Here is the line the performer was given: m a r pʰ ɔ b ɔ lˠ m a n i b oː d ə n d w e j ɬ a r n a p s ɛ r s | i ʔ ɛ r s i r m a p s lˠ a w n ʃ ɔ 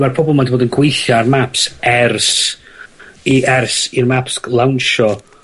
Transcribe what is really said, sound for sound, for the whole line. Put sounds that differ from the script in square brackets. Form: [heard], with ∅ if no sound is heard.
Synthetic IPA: m a r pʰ ɔ b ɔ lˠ m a [d] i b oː d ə n [ɡ] w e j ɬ a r [m] a p s ɛ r s | i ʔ ɛ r s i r m a p s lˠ a w n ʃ ɔ